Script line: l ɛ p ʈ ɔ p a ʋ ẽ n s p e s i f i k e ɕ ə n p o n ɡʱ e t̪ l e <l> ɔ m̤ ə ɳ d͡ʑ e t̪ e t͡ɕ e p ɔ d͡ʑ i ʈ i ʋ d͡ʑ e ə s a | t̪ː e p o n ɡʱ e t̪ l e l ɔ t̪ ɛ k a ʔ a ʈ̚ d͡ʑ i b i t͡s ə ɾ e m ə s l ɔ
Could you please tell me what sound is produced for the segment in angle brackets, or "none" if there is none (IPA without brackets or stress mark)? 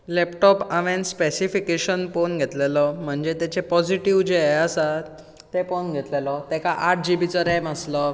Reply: l